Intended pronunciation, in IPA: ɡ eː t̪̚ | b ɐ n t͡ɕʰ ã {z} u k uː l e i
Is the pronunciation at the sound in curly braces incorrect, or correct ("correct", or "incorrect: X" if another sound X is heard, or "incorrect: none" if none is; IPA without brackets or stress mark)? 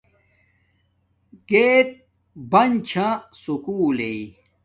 incorrect: s